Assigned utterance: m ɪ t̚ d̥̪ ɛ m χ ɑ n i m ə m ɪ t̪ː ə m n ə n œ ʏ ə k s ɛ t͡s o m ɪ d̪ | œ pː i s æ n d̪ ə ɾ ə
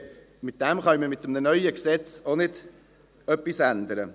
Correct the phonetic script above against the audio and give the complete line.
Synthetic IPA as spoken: m ɪ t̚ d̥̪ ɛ m χ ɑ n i m ə m ɪ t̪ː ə m n ə n œ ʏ ə k s ɛ t͡s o n ɪ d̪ | œ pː i s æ n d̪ ə ɾ ə